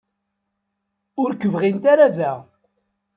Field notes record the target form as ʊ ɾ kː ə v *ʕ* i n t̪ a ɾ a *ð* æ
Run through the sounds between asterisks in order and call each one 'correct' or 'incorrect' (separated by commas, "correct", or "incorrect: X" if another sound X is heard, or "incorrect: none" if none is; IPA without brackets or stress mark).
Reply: incorrect: ʁ, correct